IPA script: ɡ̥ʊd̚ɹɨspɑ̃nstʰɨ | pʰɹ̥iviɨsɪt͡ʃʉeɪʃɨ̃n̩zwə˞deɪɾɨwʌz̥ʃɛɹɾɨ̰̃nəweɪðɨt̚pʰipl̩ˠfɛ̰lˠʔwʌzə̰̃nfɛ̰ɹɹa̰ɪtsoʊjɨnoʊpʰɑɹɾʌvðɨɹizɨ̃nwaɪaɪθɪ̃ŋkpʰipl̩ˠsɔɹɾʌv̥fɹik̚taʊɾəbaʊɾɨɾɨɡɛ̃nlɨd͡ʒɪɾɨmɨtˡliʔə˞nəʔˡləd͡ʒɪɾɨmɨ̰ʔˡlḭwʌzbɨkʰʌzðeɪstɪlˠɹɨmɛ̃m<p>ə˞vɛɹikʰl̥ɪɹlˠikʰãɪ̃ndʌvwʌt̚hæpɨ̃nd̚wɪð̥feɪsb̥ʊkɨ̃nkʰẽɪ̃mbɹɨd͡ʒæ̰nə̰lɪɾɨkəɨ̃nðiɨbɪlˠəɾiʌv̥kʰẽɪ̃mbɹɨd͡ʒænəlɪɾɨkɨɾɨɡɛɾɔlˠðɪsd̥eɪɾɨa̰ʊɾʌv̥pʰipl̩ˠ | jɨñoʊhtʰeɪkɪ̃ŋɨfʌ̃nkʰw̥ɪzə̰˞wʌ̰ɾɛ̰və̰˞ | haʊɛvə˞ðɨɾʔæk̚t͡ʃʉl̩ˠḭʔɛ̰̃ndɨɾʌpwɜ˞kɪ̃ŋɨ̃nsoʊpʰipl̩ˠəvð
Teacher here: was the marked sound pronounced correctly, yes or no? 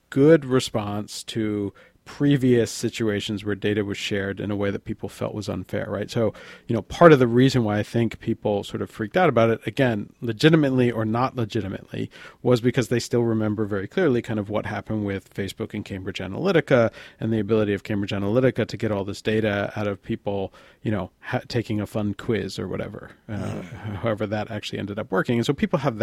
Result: no